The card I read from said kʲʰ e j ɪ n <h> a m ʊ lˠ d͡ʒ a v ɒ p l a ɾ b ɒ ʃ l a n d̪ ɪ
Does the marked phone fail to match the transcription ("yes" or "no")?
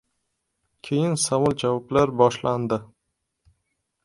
yes